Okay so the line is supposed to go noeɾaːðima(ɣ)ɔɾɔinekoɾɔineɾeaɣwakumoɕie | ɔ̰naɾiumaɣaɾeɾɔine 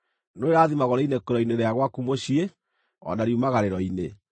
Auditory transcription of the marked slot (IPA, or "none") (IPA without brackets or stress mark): ɣ